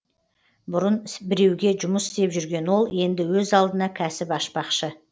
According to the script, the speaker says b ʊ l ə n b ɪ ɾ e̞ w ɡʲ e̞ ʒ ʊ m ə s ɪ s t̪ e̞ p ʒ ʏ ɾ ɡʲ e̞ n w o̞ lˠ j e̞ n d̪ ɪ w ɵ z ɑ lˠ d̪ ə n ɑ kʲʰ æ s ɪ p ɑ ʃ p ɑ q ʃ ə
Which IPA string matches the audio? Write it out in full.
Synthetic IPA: b ʊ ɾ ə n b ɪ ɾ e̞ w ɡʲ e̞ ʒ ʊ m ə s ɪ s t̪ e̞ p ʒ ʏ ɾ ɡʲ e̞ n w o̞ lˠ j e̞ n d̪ ɪ w ɵ z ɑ lˠ d̪ ə n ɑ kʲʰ æ s ɪ p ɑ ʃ p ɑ q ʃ ə